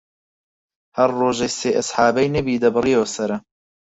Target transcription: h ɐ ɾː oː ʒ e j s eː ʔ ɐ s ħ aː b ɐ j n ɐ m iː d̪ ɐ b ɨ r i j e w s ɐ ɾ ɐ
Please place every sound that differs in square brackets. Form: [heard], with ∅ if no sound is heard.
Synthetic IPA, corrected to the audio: h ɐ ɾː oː ʒ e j s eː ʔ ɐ s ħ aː b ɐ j n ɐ [b] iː d̪ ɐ b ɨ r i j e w s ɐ ɾ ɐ